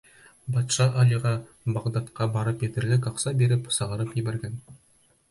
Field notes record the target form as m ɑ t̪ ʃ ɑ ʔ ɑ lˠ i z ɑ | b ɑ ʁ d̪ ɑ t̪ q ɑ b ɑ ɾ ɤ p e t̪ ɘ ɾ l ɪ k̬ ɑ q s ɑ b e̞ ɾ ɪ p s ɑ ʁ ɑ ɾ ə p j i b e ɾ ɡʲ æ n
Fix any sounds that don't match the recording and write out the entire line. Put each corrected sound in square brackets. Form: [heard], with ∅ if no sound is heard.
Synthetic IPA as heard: [b] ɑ t̪ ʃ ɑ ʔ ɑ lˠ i [ʁ] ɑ | b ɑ ʁ d̪ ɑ t̪ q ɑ b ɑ ɾ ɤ p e t̪ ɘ ɾ l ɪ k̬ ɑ q s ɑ b e̞ ɾ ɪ p s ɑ ʁ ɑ ɾ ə p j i b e ɾ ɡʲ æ n